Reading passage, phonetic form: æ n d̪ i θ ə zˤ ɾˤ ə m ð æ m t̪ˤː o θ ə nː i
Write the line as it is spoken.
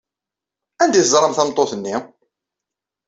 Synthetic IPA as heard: æ n d̪ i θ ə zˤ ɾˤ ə m θ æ m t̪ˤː o θ ə nː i